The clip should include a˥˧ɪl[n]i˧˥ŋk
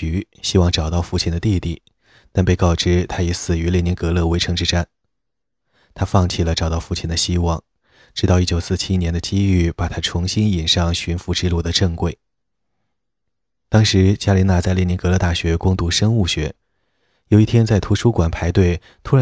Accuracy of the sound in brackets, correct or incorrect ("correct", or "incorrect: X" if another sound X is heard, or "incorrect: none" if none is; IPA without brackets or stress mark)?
correct